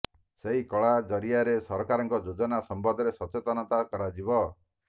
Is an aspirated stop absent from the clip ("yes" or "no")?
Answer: yes